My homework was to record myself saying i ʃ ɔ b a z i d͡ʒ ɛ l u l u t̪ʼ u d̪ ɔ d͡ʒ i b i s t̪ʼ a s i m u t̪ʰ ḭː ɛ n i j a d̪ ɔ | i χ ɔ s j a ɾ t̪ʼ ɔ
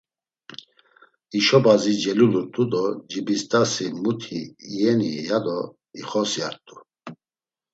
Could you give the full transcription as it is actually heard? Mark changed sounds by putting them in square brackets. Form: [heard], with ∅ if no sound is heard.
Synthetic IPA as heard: i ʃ ɔ b a z i d͡ʒ ɛ l u l u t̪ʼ u d̪ ɔ d͡ʒ i b i s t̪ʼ a s i m u t̪ʰ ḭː ɛ n i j a d̪ ɔ | i χ ɔ s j a ɾ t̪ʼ [u]